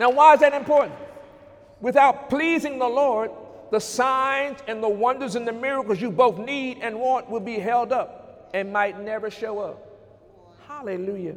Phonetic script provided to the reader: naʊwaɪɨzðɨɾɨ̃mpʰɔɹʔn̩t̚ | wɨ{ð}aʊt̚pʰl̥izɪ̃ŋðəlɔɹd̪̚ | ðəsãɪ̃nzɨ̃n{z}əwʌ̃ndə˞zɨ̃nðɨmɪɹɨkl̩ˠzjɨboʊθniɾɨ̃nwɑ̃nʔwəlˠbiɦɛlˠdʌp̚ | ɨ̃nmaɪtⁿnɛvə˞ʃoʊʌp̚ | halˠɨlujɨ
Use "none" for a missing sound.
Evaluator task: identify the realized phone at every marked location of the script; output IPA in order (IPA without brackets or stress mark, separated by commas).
θ, ð